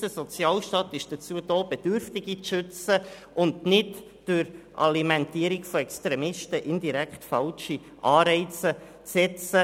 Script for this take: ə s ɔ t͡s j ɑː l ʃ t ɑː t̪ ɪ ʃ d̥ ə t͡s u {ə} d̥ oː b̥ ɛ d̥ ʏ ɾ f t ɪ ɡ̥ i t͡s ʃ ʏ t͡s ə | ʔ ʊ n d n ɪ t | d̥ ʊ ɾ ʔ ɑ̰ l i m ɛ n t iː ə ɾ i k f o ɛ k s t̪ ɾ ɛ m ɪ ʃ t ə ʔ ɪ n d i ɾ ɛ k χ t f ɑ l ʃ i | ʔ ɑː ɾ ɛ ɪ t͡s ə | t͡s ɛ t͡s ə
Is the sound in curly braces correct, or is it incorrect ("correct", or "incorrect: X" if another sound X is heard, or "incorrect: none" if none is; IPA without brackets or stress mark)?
correct